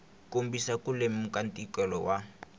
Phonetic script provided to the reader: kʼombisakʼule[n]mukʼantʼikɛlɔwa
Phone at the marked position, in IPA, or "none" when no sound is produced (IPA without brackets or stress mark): m